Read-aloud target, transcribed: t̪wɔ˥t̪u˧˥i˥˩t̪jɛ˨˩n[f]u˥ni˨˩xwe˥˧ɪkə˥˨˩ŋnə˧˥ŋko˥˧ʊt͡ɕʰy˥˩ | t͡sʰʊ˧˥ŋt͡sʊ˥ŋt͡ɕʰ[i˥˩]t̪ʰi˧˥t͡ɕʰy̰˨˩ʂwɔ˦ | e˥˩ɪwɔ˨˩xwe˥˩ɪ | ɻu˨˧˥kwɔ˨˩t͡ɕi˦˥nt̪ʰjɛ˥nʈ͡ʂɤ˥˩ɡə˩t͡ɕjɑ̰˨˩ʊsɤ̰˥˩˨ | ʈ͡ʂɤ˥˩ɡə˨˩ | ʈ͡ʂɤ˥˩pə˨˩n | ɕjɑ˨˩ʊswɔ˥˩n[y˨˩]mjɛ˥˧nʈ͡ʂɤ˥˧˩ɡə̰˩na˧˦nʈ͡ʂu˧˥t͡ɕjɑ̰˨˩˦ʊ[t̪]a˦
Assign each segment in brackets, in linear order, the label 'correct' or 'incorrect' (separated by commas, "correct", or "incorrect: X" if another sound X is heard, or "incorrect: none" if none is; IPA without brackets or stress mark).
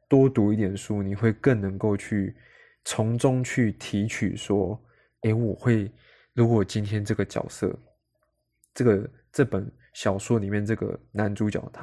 incorrect: ʂ, incorrect: y˥˩, incorrect: i˨˩, incorrect: t̪ʰ